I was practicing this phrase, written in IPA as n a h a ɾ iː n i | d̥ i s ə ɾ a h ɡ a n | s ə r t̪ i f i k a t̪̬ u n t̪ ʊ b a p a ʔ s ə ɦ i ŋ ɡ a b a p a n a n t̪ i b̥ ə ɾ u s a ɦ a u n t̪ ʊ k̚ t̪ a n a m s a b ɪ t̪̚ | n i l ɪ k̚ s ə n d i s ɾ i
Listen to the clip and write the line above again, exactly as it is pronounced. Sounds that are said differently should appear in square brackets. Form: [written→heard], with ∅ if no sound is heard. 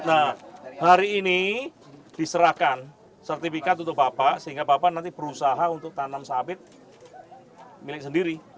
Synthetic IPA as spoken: n a h a ɾ iː n i | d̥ i s ə ɾ a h [ɡ→k] a n | s ə r t̪ i f i k a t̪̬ u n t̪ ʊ b a p a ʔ s ə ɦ i ŋ ɡ a b a p a n a n t̪ i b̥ ə ɾ u s a ɦ a u n t̪ ʊ k̚ t̪ a n a m s a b ɪ t̪̚ | [n→m] i l ɪ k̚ s ə n d i [s→∅] ɾ i